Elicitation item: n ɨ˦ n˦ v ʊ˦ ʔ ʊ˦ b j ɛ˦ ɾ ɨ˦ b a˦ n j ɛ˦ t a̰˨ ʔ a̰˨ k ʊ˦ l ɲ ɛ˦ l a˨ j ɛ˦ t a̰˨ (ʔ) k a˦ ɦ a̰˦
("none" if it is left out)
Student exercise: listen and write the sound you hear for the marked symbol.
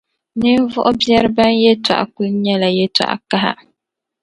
ʔ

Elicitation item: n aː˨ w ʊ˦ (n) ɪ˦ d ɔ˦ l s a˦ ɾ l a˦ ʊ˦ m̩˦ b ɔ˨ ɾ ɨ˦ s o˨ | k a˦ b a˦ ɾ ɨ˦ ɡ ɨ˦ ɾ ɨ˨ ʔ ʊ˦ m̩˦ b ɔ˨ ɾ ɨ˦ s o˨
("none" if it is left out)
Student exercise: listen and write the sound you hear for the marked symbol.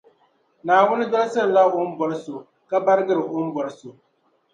n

